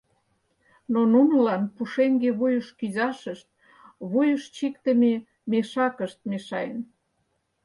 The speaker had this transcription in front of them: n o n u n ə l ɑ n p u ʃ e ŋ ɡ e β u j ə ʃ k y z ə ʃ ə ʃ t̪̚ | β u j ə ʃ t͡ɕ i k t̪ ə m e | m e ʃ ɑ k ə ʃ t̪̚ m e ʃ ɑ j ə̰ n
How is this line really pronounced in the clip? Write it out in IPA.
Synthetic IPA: n o n u n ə l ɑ n p u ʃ e ŋ ɡ e β u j ə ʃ k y z ɑ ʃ ə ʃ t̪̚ | β u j ə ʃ t͡ɕ i k t̪ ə m e | m e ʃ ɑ k ə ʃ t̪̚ m e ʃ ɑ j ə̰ n